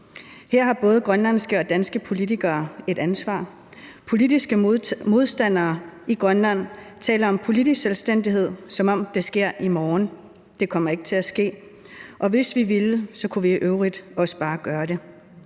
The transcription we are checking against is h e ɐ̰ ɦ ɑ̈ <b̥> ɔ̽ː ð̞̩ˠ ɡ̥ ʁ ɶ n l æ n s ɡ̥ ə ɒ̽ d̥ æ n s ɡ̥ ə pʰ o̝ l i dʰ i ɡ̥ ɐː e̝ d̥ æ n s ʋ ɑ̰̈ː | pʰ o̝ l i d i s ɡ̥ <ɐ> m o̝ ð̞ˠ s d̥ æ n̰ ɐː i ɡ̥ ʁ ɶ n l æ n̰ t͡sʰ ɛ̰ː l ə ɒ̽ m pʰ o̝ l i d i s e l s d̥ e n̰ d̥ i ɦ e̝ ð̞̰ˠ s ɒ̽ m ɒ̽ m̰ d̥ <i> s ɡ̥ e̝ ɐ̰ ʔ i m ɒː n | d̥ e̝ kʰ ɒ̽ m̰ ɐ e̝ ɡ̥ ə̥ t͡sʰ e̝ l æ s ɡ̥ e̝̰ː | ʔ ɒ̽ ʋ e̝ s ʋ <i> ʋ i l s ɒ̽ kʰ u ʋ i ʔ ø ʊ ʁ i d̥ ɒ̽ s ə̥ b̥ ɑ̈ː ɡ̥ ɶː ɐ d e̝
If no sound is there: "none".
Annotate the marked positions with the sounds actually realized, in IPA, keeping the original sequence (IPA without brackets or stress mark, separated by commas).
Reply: b̥, ə, e, i